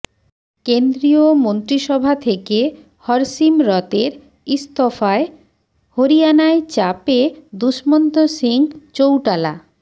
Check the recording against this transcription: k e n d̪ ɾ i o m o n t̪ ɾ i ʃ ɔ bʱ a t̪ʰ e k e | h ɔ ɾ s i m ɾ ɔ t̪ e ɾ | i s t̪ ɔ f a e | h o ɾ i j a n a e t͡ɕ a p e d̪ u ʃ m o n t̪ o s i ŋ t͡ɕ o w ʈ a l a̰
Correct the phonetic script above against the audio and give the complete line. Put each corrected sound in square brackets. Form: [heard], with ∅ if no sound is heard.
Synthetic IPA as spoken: k e n d̪ ɾ i o m o n t̪ ɾ i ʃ ɔ bʱ a t̪ʰ e k e | h ɔ ɾ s i m ɾ ɔ t̪ e ɾ | i s t̪ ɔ f a e | h o ɾ i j a n a e t͡ɕ a p e d̪ u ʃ m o n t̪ o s i ŋ t͡ɕ o w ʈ a l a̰